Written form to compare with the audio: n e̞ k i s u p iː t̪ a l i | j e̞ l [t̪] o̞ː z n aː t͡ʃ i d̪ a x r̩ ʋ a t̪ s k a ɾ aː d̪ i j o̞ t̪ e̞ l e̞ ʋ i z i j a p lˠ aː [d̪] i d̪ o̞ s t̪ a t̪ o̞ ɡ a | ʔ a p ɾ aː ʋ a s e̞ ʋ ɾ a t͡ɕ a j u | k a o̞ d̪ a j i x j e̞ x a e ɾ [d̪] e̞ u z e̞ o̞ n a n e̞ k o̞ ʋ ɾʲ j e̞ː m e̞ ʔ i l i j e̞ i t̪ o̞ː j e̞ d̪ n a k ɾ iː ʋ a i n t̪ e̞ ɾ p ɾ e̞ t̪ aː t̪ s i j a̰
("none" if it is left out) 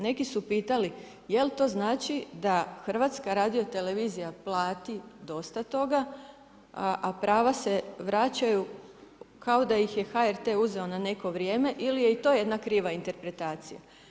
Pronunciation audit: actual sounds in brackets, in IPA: t̪, t̪, t̪

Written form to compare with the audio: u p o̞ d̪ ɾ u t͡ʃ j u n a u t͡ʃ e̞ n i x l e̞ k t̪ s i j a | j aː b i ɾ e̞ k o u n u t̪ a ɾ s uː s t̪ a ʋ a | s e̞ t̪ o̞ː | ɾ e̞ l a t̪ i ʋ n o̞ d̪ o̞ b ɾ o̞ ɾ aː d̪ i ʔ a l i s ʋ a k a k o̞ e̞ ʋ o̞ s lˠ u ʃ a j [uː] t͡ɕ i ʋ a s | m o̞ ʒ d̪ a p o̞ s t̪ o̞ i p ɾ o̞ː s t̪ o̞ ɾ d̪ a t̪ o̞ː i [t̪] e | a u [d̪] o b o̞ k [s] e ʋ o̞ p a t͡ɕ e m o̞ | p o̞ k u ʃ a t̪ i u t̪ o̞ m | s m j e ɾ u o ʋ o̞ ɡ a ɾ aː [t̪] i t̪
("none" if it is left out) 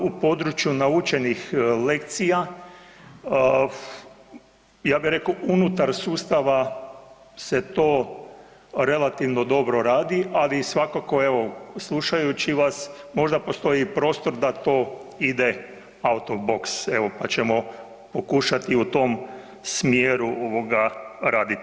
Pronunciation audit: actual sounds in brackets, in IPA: u, d̪, t̪, s, d̪

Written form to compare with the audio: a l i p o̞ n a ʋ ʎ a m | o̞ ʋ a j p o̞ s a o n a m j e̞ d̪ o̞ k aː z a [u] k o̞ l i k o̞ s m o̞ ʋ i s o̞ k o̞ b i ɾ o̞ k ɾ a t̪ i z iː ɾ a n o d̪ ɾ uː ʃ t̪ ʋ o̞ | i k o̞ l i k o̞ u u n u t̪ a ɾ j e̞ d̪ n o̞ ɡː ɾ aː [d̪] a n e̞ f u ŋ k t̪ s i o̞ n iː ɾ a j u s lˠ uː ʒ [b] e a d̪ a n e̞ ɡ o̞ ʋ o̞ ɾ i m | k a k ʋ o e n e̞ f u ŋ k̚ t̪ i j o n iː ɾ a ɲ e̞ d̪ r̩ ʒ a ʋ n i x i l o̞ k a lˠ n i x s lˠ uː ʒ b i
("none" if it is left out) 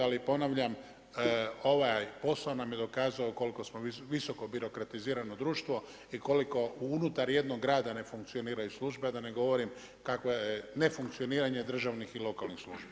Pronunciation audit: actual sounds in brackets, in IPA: o, d̪, b

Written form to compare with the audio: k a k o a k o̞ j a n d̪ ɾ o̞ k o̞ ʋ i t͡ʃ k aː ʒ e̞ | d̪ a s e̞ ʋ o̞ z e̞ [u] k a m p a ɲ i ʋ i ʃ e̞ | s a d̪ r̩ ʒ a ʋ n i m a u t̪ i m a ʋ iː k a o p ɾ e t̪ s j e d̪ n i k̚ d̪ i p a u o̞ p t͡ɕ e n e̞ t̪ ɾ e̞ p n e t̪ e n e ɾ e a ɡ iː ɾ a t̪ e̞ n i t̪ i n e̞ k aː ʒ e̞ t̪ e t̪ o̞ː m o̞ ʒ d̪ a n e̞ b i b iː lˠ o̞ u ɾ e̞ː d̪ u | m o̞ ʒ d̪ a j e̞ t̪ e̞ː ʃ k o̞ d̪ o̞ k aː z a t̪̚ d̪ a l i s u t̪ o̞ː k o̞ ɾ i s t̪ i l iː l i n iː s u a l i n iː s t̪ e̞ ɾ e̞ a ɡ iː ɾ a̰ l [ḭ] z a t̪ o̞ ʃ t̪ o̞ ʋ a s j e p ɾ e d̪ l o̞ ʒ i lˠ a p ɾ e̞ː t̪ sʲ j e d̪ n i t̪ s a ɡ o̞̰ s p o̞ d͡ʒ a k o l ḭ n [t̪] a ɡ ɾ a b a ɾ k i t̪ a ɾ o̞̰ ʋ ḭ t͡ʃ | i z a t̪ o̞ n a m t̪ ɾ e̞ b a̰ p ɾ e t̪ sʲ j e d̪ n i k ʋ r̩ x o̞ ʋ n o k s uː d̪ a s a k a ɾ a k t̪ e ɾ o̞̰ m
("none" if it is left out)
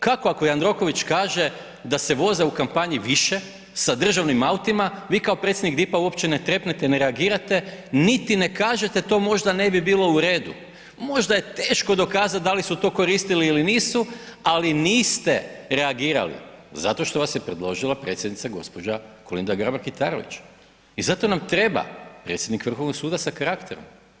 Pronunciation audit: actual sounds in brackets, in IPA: u, ḭ, d̪

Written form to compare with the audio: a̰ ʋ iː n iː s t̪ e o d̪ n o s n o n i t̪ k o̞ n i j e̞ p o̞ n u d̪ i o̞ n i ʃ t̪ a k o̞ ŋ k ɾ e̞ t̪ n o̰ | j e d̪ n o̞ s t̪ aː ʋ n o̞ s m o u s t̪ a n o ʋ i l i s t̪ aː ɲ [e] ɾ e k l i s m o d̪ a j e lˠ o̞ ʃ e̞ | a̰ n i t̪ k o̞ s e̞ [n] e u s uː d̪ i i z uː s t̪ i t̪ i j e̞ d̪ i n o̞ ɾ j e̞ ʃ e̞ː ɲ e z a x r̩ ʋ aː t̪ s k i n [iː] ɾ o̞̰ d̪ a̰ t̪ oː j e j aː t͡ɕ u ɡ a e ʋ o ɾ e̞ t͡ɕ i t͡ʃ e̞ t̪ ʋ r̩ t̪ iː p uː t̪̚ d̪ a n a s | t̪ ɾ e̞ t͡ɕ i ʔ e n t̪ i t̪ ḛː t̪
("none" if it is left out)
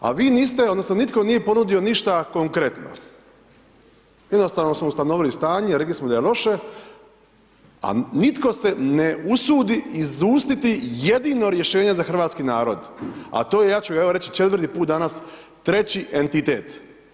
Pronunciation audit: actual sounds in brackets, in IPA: e, n, aː

